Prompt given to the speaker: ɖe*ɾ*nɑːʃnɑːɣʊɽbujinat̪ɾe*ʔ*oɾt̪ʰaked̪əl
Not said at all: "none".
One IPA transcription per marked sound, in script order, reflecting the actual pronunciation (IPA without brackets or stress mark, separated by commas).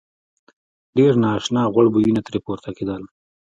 ɾ, p